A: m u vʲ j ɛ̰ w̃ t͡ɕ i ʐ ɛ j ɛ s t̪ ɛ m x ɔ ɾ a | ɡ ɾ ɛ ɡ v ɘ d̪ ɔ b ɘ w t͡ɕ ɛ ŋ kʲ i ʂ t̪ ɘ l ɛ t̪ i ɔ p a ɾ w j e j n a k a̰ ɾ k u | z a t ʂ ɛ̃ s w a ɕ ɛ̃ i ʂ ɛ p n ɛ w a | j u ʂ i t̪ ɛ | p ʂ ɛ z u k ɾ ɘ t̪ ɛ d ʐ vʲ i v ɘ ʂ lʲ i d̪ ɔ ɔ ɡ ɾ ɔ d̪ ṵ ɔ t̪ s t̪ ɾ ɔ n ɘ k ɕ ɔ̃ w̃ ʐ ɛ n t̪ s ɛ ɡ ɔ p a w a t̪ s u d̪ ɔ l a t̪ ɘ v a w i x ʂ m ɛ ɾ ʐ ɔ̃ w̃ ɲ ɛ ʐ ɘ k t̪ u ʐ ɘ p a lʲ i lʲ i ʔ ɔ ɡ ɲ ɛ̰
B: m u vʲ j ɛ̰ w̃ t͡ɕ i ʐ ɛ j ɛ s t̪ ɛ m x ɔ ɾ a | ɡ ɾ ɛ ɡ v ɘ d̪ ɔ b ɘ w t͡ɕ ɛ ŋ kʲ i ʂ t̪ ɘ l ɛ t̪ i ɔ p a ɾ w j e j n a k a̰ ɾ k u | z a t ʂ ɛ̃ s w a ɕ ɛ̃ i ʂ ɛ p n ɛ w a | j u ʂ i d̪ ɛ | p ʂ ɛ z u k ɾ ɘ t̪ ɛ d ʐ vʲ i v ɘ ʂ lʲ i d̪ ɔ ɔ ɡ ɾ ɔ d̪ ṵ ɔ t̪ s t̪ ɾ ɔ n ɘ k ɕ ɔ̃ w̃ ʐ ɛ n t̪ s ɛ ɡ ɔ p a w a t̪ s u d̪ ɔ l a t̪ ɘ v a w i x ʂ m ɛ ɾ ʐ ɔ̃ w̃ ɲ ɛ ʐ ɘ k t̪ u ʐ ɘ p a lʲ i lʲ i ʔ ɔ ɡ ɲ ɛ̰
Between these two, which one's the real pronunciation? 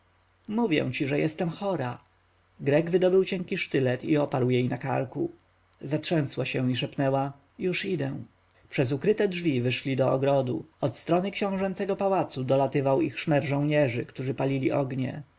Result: B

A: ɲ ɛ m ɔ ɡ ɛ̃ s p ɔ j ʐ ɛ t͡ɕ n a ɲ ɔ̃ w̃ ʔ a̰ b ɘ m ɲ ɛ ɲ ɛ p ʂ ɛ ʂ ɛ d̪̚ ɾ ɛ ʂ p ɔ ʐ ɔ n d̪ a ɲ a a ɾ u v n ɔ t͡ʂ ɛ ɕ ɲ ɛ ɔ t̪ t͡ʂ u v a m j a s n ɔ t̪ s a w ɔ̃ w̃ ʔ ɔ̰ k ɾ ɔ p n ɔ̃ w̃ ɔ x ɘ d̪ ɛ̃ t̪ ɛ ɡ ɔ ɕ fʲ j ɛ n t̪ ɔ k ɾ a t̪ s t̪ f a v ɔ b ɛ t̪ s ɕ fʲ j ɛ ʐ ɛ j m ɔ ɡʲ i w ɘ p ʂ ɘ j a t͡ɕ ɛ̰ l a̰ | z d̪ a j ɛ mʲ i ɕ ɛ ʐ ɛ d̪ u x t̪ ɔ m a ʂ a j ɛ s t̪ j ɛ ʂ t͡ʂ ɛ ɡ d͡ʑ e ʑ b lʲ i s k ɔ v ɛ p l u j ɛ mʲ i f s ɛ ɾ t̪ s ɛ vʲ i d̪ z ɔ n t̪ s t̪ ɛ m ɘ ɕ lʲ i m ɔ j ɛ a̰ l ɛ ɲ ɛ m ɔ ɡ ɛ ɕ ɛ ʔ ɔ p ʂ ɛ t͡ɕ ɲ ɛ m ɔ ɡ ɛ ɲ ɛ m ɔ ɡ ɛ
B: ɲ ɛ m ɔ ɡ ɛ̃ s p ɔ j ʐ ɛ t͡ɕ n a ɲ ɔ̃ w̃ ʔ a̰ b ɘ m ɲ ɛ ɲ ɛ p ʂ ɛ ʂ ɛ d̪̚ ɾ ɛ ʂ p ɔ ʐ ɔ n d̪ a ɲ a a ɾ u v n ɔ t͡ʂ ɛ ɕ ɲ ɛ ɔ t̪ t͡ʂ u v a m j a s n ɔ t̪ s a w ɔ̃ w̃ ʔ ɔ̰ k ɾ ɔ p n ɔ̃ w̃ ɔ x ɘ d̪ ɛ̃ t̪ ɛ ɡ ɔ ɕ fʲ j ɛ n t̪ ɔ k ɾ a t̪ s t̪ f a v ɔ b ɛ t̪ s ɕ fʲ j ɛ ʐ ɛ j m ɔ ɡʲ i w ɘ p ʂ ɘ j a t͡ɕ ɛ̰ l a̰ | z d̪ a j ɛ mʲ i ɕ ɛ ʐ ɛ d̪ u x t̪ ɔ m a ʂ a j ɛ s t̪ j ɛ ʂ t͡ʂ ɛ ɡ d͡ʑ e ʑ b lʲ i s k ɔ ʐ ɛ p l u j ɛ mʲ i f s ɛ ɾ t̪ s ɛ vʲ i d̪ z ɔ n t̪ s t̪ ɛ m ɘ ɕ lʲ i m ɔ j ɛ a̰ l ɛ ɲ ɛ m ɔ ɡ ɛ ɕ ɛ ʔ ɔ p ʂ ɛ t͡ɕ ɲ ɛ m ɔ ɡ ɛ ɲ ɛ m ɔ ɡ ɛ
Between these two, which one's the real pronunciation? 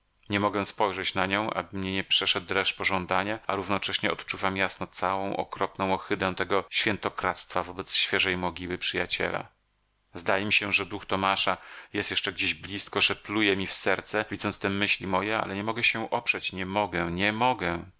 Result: B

